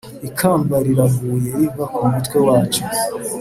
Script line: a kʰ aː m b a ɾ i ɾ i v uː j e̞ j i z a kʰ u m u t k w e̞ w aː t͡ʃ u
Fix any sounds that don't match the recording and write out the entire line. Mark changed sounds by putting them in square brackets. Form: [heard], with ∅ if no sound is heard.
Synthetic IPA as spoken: [i] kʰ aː m b a ɾ i ɾ [a] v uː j e̞ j i [v] a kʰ u m u t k w e̞ w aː t͡ʃ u